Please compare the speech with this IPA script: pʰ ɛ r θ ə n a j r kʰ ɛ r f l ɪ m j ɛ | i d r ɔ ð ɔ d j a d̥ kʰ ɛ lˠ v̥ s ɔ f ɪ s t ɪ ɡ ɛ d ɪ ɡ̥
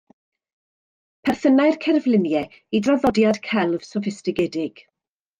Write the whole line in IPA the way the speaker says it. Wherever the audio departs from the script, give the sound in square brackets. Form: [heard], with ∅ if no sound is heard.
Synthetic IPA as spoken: pʰ ɛ r θ ə n a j r kʰ ɛ r [v] l ɪ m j ɛ | i d r ɔ ð ɔ d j a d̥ kʰ ɛ lˠ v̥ s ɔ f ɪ s t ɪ ɡ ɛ d ɪ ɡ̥